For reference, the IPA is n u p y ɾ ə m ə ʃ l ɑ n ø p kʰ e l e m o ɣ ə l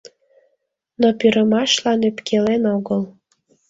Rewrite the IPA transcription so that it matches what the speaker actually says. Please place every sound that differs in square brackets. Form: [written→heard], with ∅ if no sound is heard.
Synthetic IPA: n [u→o] p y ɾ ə m [ə→ɑ] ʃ l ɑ n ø p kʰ e l e [m→n] o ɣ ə l

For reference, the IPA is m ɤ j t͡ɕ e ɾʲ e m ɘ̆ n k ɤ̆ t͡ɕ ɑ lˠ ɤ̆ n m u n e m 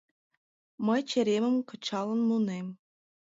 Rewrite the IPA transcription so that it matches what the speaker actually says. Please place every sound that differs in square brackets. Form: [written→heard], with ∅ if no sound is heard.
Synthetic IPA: m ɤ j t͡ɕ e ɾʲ e m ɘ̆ [n→m] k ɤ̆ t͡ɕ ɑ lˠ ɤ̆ n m u n e m

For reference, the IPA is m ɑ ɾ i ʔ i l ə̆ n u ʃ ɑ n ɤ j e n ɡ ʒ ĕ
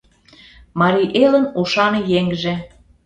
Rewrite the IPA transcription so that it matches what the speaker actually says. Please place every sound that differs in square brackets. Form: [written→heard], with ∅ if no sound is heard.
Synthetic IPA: m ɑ ɾ i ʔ [i→e] l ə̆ n u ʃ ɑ n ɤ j e [n→ŋ] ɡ ʒ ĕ

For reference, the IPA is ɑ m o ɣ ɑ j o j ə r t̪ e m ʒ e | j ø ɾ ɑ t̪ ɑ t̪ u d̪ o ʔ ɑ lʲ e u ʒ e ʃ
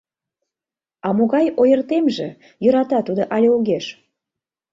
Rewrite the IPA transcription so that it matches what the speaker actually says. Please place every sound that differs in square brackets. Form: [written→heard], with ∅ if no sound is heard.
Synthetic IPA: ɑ m o ɣ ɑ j o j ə r t̪ e m ʒ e | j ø ɾ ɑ t̪ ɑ t̪ u d̪ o ʔ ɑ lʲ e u [ʒ→ɣ] e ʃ

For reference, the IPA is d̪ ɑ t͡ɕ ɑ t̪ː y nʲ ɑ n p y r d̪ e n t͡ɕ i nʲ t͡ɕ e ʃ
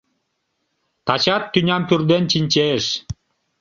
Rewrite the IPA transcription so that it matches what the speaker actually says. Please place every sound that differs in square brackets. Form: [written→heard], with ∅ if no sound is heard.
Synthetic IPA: [d̪→t̪] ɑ t͡ɕ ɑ t̪ː y nʲ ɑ [n→m] p y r d̪ e n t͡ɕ i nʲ t͡ɕ e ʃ

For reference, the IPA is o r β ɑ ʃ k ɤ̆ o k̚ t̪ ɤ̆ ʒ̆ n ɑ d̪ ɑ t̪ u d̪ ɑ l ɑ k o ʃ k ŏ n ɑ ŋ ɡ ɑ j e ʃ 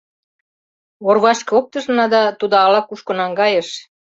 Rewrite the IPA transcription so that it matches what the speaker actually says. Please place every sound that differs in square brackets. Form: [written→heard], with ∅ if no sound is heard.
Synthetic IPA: o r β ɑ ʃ k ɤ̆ o k̚ t̪ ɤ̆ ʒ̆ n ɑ d̪ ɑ t̪ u d̪ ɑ l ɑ k [o→u] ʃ k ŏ n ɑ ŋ ɡ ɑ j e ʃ

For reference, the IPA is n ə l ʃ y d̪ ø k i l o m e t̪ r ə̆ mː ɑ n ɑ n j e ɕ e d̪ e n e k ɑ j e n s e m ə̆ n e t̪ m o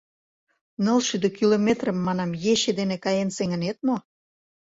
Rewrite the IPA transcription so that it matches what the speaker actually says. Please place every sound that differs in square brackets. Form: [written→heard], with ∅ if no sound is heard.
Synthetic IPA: n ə l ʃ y d̪ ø k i l o m e t̪ r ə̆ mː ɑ n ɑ [n→m] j e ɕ e d̪ e n e k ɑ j e n s e [m→ŋ] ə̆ n e t̪ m o

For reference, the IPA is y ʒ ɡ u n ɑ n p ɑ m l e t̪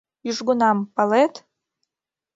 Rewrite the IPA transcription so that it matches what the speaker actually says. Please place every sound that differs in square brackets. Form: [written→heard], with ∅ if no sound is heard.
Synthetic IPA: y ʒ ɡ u n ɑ [n→m] p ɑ [m→∅] l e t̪

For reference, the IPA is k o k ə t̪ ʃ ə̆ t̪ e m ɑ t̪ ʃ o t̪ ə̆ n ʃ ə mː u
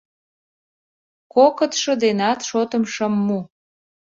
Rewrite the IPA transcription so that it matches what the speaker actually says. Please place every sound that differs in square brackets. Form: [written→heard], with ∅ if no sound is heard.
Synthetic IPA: k o k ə t̪ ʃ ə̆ [t̪→d̪] e [m→n] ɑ t̪ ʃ o t̪ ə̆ [n→m] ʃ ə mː u

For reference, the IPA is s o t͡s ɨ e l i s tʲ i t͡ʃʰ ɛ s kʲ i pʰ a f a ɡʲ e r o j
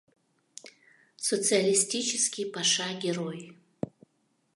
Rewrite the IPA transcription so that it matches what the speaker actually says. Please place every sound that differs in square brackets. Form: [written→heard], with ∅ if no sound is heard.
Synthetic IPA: s o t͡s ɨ [e→a] l i s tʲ i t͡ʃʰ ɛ s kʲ i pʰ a [f→ʂ] a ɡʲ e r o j

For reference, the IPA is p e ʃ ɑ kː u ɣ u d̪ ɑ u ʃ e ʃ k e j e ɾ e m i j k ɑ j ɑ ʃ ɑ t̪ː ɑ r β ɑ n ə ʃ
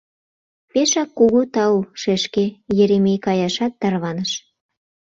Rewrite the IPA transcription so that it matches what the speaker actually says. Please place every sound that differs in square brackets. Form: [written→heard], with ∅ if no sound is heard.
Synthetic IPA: p e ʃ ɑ kː u ɣ u [d̪→t̪] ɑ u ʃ e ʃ k e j e ɾ e m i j k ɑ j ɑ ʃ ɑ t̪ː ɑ r β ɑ n ə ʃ

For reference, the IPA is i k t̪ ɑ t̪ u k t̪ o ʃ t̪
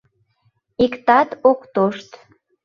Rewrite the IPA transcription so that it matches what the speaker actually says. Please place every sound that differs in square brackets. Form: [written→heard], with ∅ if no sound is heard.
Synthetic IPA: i k t̪ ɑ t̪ [u→o] k t̪ o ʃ t̪

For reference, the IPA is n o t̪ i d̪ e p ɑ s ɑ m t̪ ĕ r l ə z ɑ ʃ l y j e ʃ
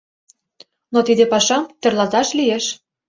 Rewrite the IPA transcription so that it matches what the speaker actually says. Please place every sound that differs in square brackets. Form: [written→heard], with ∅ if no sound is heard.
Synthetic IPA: n o t̪ i d̪ e p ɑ [s→ʃ] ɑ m t̪ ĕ r l [ə→ɑ] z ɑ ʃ l [y→i] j e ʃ

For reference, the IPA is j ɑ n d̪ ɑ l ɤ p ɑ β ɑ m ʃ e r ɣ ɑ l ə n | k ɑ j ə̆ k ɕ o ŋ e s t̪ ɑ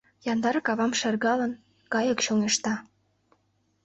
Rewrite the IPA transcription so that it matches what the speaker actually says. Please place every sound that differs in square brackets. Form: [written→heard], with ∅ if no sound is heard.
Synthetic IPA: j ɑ n d̪ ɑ [l→ɾ] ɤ [p→k] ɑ β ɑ m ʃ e r ɣ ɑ l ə n | k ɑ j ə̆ k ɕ o ŋ e [s→ʃ] t̪ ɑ

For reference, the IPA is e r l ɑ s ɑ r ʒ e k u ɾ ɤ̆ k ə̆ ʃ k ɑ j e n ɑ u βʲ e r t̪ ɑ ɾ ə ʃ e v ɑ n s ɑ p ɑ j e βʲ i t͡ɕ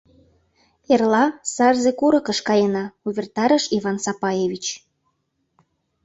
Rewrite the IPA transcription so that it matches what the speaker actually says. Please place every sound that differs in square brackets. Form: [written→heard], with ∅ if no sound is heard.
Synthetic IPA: e r l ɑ s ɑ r [ʒ→z] e k u ɾ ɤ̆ k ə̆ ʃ k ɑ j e n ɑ u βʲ e r t̪ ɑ ɾ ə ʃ [e→i] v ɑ n s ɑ p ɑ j e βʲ i t͡ɕ

